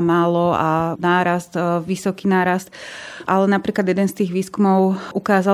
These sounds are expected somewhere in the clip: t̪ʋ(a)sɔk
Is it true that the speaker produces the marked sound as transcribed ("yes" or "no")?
no